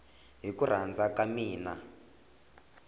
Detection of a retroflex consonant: absent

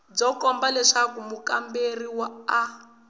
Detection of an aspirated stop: absent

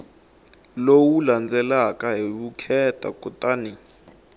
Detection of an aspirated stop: present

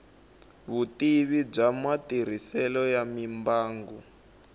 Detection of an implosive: absent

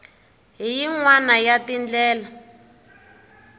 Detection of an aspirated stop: absent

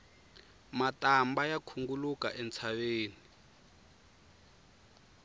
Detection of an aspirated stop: present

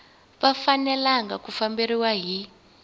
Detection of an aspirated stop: absent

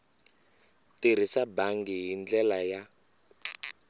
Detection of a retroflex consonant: absent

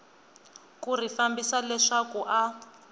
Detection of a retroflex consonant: present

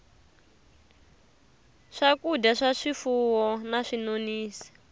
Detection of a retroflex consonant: present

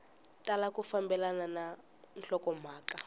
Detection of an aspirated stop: absent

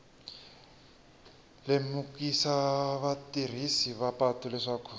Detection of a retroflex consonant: present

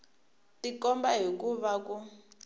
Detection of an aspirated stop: absent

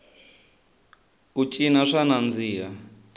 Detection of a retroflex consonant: present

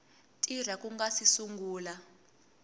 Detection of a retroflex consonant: absent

